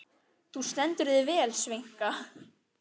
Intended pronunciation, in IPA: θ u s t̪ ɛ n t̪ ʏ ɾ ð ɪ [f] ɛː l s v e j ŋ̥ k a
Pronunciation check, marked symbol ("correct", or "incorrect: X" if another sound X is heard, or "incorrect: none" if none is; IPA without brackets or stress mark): incorrect: v